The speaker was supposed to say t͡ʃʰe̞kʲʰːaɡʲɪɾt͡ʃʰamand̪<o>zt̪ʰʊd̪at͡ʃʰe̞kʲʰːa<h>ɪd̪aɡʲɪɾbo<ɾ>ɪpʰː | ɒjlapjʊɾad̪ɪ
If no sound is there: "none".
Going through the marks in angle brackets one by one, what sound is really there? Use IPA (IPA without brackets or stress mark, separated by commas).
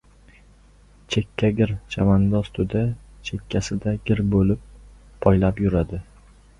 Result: ɒ, s, l